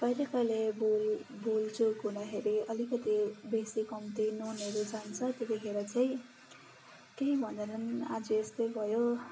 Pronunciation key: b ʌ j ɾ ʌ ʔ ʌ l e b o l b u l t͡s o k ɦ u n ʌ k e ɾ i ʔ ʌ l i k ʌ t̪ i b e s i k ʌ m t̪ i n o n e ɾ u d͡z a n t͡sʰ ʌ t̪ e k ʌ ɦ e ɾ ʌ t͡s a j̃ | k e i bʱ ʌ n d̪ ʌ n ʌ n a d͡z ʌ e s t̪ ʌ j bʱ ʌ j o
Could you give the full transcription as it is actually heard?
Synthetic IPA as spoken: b ʌ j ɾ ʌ k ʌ l e b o l b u l t͡s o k ɦ u n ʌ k e ɾ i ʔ ʌ l i k ʌ t̪ i b e s i k ʌ m t̪ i n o n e ɾ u d͡z a n t͡sʰ ʌ t̪ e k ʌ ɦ e ɾ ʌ t͡s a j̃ | k e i bʱ ʌ n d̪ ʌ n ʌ n a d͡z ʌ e s t̪ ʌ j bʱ ʌ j o